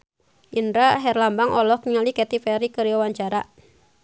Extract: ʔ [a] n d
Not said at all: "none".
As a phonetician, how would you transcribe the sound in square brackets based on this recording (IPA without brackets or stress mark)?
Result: i